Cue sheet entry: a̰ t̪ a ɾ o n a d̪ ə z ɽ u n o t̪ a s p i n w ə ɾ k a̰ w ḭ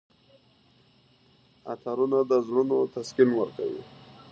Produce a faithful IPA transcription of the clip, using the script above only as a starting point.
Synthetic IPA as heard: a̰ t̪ a ɾ u n a d̪ ə z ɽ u n o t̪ a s k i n w ə ɾ k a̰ w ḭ